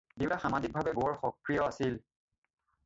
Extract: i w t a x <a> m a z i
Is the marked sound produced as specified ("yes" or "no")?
yes